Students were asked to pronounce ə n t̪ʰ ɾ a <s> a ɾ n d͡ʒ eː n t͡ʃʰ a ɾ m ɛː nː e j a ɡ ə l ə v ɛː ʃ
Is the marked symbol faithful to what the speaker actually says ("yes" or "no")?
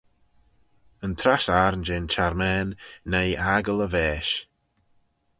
yes